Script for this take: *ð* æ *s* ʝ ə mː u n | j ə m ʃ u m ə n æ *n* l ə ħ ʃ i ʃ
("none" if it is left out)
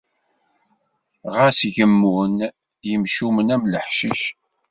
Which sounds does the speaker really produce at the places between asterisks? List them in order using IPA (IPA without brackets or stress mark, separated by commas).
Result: ʁ, s, m